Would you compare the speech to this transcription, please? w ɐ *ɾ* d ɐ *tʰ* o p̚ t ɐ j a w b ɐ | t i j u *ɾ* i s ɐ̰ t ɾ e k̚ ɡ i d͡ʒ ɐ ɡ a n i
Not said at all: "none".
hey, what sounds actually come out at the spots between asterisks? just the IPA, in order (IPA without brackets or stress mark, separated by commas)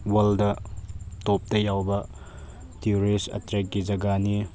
l, t, ɾ